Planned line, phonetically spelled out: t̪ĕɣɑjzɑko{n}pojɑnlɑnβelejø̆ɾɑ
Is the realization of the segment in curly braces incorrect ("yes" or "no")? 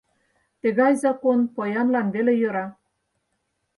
no